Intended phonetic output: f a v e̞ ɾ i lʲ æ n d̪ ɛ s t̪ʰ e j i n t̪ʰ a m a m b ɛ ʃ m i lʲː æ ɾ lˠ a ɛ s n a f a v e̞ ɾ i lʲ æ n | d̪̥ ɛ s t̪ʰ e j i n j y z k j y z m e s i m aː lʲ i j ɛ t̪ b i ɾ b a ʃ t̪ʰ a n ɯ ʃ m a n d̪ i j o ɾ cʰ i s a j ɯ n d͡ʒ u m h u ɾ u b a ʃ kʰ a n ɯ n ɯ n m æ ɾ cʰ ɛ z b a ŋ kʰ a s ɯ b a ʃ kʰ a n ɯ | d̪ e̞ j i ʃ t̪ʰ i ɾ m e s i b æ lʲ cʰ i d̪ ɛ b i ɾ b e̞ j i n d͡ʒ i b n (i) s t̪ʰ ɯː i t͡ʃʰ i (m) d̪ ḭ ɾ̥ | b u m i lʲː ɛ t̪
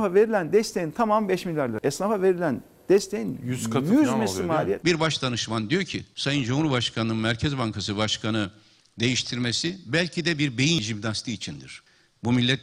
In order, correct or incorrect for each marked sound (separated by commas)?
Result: incorrect, incorrect